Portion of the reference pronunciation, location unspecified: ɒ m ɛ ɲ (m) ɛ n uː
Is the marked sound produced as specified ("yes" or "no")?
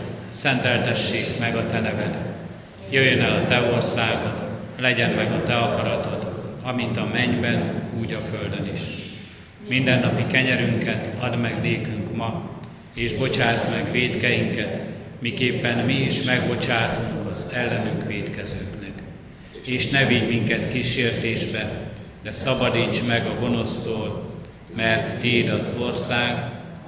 no